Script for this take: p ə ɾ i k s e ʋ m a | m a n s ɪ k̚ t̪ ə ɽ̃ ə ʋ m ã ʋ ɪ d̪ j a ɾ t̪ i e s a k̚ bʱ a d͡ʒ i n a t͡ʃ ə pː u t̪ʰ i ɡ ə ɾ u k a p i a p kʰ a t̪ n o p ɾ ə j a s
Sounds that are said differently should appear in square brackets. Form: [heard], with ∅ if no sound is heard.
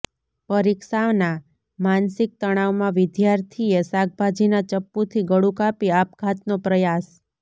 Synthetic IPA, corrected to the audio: p ə ɾ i k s [a] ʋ [n] a | m a n s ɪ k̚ t̪ ə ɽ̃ [a] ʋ m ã ʋ ɪ d̪ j a ɾ [t̪ʰ] i e s a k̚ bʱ a d͡ʒ i n a t͡ʃ ə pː u t̪ʰ i ɡ ə [ɽ] u k a p i a p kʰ a t̪ n o p ɾ ə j a s